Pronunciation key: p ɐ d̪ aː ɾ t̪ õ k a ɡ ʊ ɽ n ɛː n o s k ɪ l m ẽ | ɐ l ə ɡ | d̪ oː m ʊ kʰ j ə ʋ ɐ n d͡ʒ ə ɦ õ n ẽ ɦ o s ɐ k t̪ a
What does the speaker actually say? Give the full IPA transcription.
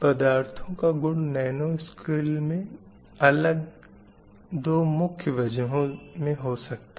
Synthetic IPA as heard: p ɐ d̪ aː ɾ t̪ʰ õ k a ɡ ʊ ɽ n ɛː n o s k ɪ l m ẽ | ɐ l ə ɡ | d̪ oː m ʊ kʰ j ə ʋ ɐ d͡ʒ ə ɦ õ m ẽ ɦ o s ɐ k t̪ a